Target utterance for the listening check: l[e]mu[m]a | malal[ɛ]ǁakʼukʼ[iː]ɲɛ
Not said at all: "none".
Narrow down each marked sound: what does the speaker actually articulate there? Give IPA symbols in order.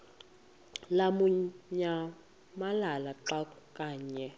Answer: a, ɲ, a, aː

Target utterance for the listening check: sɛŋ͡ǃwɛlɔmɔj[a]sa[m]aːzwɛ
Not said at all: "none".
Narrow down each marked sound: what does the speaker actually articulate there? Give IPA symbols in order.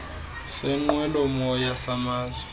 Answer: a, m

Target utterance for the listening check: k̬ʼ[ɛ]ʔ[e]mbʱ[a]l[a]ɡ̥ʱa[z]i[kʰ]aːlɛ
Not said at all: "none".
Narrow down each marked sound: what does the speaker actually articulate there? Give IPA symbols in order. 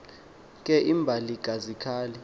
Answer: ɛ, i, a, i, z, kʰ

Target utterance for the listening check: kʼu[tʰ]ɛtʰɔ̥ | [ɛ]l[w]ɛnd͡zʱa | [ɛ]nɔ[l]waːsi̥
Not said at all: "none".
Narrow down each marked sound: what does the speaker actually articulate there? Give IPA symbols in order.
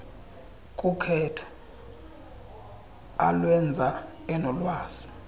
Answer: kʰ, a, w, ɛ, l

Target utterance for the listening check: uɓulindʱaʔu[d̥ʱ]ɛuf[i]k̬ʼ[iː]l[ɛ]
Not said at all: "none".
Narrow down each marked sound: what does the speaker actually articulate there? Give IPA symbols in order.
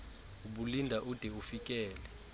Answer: d̥ʱ, i, ɛː, ɛ

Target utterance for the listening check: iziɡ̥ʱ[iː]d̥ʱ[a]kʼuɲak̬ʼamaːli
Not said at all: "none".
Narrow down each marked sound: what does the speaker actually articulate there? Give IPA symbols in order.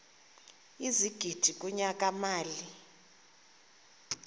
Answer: i, i

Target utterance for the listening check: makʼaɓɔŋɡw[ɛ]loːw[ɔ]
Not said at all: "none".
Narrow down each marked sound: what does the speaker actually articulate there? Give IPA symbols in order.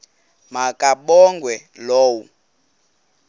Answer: ɛ, u

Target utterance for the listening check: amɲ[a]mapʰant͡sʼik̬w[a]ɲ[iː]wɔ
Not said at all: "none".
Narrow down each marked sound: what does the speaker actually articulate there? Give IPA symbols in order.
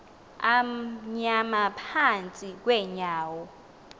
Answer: a, ɛ, aː

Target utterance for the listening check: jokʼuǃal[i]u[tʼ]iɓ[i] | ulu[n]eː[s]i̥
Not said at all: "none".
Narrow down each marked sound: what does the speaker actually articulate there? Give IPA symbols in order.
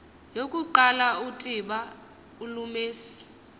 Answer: a, tʼ, a, m, s

